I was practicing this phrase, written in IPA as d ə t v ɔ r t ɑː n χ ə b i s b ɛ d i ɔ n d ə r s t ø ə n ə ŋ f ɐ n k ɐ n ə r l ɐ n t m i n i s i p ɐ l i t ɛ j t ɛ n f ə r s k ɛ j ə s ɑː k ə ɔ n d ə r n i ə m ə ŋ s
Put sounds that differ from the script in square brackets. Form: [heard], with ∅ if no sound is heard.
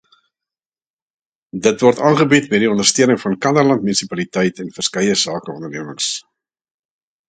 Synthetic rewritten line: d ə t v ɔ r t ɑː n χ ə b i [t] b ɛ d i ɔ n d ə r s t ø ə n ə ŋ f ɐ n k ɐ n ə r l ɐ n t m [y] n i s i p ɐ l i t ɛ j t ɛ n f ə r s k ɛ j ə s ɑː k ə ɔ n d ə r n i ə m ə ŋ s